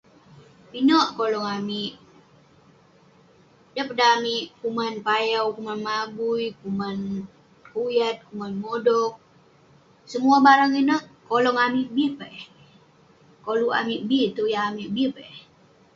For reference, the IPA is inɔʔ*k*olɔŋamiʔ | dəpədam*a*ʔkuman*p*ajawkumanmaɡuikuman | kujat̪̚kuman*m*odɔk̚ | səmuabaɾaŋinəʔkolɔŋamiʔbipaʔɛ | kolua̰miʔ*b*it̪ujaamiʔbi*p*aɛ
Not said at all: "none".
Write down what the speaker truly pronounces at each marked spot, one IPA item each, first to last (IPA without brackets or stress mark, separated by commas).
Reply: k, i, p, m, b, p